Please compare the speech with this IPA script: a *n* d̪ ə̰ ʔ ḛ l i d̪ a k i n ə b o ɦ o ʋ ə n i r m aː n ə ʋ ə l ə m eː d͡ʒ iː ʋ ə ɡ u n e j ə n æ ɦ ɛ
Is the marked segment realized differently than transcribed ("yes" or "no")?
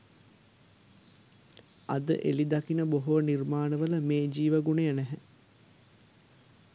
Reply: yes